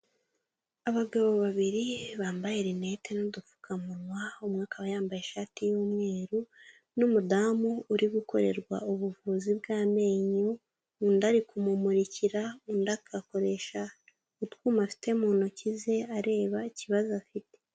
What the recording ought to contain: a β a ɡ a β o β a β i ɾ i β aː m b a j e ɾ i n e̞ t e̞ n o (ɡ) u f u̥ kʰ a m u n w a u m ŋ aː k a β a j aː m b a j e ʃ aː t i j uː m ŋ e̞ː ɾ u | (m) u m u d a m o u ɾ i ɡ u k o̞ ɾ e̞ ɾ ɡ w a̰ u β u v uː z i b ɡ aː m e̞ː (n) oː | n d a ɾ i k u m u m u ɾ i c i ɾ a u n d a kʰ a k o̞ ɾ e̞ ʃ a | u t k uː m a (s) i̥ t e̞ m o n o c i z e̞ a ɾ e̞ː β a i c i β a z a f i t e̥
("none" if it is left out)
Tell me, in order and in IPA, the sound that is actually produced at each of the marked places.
d, n, ɲ, f

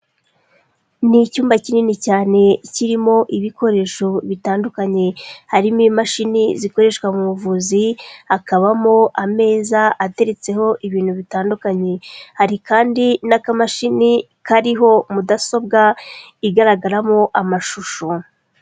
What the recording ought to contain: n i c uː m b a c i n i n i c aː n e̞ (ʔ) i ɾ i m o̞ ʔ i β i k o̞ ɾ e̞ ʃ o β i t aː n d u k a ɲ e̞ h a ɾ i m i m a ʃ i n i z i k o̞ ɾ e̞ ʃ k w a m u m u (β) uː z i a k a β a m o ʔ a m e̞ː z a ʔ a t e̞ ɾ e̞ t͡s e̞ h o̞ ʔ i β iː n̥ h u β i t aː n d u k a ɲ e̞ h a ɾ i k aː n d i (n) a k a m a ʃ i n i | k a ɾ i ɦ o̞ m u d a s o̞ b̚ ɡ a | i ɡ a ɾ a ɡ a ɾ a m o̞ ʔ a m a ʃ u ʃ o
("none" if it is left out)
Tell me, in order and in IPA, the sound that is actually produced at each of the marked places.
c, v, n

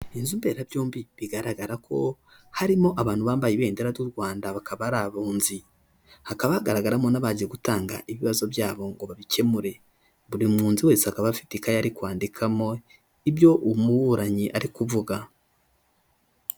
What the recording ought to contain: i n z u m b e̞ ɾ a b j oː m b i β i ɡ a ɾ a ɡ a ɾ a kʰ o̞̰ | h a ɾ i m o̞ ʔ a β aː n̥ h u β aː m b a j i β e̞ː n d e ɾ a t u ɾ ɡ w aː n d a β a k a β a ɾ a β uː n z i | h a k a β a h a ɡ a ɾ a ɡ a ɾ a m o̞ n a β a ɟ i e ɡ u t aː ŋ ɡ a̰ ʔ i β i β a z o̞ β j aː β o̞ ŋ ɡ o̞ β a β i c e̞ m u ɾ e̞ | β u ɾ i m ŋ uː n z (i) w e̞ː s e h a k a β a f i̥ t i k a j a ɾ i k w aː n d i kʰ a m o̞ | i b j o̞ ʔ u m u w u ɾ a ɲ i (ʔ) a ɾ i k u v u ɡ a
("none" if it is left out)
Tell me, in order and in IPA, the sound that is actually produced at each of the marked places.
i, ʔ

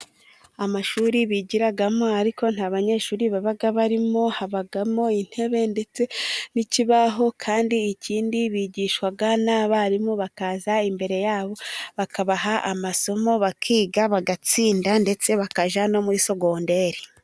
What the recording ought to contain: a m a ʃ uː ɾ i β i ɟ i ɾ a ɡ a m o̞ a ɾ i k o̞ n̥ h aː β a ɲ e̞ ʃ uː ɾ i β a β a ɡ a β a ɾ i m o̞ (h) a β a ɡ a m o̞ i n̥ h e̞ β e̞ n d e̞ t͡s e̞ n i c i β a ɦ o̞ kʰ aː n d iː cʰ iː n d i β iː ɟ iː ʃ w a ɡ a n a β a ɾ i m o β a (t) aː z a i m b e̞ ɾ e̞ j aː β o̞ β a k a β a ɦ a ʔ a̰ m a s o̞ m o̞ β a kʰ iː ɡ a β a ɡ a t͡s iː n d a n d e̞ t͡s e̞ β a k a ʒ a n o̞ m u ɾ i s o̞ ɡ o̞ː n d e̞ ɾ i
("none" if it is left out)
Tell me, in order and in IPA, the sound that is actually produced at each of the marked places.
h, k

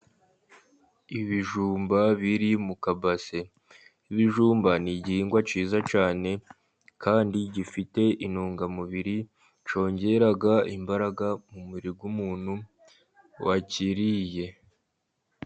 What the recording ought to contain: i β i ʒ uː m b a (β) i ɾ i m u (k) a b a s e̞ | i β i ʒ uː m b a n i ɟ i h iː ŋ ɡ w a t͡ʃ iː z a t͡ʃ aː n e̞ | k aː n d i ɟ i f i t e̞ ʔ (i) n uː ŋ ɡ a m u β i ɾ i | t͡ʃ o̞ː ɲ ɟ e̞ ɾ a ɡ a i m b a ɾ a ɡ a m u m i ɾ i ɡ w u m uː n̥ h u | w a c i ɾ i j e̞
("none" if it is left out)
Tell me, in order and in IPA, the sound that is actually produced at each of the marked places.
β, k, i

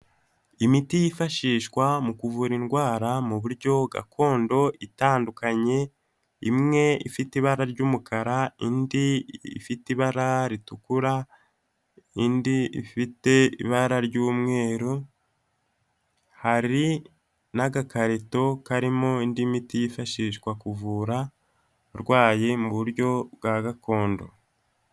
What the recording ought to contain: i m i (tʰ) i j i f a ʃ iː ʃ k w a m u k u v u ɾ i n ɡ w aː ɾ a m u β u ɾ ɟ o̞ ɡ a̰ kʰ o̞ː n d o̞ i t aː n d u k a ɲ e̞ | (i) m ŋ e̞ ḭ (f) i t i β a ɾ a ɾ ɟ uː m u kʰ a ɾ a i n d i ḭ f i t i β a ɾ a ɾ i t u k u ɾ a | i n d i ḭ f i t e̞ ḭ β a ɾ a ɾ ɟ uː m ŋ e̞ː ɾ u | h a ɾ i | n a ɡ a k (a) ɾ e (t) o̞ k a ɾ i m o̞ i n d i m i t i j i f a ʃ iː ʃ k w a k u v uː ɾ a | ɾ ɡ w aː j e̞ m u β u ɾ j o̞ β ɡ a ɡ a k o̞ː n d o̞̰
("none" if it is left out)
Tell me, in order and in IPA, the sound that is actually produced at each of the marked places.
t, i, f, a, t

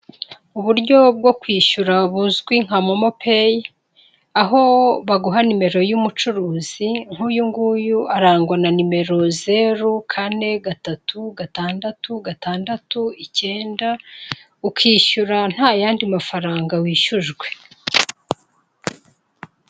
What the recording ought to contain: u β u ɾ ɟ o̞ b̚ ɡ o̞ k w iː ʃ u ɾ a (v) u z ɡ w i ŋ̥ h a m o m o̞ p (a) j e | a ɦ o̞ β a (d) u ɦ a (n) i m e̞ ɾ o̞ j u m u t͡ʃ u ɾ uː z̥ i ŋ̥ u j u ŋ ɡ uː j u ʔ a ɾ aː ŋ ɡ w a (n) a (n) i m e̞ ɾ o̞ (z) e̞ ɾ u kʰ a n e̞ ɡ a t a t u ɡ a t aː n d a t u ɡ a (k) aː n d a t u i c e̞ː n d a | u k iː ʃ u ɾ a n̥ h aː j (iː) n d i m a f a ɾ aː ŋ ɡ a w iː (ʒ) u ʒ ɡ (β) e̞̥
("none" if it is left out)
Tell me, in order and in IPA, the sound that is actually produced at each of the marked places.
β, e, ɡ, n, n, n, z, t, aː, ʃ, w

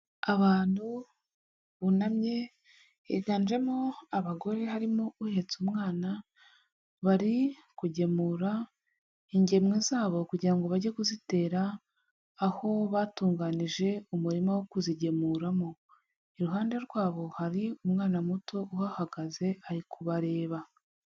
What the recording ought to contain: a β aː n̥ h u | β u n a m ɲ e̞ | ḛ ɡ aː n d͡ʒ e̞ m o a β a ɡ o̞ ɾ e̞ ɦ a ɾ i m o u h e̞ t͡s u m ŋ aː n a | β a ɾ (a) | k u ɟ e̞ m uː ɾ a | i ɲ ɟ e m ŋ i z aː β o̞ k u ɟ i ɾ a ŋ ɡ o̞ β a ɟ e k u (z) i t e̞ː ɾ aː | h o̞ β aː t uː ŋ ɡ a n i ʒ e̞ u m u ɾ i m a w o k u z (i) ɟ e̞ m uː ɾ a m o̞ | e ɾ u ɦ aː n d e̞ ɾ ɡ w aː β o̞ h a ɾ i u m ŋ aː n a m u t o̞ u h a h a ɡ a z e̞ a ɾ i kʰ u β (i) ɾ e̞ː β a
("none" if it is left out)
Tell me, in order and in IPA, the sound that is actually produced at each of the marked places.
i, z, i, a

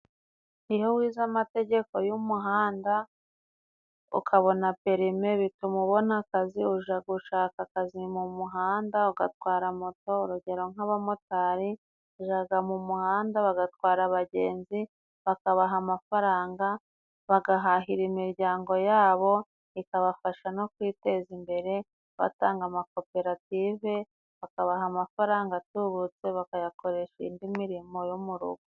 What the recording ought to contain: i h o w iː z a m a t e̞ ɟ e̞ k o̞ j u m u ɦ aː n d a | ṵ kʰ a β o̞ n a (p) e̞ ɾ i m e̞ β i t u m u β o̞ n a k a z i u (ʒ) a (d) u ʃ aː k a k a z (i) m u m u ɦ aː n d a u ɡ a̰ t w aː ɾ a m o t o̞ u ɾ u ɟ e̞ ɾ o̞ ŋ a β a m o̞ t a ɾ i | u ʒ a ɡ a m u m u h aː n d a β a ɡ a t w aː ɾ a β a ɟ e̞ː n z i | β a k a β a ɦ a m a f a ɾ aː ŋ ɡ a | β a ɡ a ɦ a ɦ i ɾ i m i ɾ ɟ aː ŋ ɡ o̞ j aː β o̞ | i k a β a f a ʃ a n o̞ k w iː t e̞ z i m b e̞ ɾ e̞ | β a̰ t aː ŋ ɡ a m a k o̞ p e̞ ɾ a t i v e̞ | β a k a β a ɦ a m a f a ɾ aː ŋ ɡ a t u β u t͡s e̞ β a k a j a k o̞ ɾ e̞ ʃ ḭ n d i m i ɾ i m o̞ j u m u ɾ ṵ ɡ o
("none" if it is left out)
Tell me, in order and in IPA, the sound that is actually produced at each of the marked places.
p, ʒ, ɡ, i

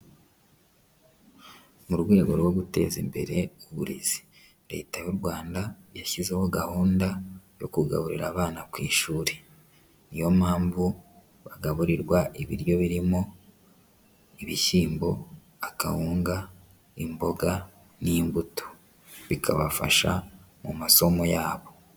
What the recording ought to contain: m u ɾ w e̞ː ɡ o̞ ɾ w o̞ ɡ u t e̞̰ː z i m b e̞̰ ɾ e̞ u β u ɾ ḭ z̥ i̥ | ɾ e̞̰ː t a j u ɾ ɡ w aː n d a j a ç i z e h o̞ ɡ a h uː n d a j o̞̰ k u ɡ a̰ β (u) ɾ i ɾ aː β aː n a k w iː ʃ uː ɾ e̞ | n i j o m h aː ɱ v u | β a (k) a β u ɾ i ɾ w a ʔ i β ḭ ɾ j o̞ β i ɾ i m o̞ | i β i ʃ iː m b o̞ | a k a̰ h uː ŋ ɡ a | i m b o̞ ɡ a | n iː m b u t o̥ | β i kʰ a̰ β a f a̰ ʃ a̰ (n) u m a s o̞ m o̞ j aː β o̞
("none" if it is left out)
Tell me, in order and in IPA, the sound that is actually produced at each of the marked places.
u, ɡ, m

